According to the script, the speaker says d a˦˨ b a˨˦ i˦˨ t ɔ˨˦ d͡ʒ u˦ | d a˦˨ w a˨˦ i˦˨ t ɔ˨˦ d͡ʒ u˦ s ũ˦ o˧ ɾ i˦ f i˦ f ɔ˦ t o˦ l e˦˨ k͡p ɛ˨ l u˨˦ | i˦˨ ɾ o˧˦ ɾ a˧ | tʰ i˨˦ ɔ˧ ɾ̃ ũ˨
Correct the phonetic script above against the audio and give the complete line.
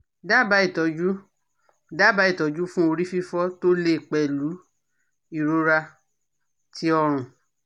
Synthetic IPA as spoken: d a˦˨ b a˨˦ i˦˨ t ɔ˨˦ d͡ʒ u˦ | d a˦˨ b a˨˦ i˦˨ t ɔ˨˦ d͡ʒ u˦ f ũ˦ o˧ ɾ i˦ f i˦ f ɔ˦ t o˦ l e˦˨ k͡p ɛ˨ l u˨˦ | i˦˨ ɾ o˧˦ ɾ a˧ | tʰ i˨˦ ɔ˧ ɾ̃ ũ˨